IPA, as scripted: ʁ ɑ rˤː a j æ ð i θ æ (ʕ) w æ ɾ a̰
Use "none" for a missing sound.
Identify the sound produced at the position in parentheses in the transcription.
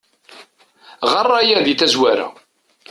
z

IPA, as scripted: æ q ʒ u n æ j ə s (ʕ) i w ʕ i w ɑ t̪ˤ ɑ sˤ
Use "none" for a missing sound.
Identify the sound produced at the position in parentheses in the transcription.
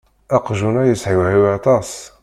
ʕ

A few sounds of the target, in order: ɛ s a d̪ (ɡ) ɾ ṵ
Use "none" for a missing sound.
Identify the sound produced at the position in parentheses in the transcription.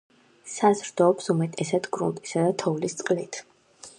ɡ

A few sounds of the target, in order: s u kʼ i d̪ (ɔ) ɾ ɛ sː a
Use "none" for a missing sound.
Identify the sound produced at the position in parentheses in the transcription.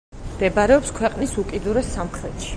u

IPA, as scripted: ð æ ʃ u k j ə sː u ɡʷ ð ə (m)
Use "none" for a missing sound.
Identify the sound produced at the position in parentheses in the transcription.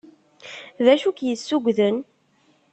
n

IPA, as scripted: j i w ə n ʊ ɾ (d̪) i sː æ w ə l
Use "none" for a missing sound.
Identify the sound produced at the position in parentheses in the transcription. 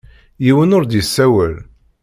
d̪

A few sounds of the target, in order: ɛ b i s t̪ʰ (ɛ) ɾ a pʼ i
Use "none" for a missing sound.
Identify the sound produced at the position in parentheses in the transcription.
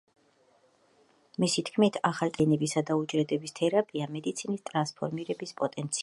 ɛ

